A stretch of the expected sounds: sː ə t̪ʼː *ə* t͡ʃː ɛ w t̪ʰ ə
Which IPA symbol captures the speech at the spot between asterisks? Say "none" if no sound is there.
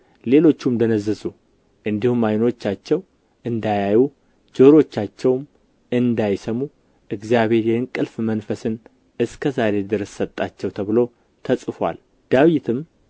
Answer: a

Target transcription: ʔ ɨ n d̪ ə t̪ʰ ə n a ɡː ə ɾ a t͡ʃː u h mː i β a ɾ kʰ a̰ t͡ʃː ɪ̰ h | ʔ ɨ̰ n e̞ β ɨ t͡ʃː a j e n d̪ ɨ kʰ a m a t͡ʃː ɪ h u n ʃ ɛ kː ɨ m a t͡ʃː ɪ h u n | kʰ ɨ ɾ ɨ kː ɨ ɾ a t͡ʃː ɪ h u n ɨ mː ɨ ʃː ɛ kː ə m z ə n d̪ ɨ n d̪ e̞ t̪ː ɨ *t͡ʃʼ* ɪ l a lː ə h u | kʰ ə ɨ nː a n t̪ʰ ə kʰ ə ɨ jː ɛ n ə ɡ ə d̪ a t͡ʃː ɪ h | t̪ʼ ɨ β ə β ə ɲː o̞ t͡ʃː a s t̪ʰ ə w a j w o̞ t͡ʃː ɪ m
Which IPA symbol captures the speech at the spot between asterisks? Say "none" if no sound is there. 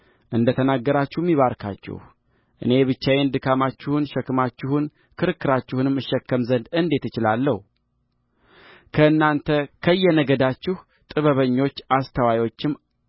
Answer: t͡ʃ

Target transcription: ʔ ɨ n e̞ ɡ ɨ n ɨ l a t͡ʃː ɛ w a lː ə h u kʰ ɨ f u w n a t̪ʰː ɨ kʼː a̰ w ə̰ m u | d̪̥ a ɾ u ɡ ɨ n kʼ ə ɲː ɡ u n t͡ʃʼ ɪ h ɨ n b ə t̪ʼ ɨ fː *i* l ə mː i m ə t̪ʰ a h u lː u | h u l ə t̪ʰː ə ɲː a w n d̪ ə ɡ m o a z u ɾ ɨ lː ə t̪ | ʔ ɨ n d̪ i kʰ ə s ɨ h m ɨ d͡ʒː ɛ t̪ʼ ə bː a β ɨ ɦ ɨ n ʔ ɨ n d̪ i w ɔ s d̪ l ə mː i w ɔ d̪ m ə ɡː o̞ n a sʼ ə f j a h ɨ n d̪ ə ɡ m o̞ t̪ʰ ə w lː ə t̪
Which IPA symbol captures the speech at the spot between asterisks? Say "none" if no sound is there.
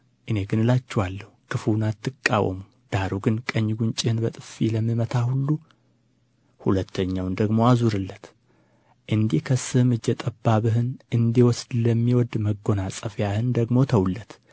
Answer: i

